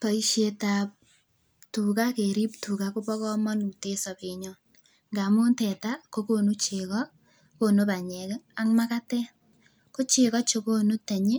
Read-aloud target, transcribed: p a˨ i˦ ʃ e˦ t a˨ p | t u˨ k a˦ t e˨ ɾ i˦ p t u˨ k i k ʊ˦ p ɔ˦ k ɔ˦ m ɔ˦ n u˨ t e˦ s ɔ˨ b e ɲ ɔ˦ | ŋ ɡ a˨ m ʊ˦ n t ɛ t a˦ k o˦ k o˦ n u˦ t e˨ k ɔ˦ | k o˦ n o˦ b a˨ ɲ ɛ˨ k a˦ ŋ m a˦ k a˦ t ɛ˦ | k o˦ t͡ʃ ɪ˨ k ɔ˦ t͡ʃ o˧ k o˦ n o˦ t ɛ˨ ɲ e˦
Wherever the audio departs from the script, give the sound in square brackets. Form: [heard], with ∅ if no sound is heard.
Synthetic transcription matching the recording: p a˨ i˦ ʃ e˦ t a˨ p | t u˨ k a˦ [k] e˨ ɾ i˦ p t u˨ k [a] k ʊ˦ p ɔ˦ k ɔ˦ m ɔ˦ n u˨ t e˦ s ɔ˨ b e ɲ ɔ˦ | ŋ ɡ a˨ m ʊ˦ n t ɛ t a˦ k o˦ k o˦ n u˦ [t͡ʃ] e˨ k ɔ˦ | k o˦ n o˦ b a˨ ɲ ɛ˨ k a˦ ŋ m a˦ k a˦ t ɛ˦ | k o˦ t͡ʃ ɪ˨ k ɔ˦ t͡ʃ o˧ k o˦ n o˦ t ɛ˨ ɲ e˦